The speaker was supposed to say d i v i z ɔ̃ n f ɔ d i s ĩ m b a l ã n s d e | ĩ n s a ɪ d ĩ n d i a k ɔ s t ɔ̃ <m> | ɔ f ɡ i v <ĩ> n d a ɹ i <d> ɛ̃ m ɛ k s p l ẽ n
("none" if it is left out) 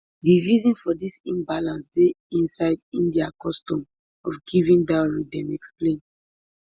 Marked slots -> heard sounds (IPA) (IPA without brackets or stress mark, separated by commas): m, ĩ, d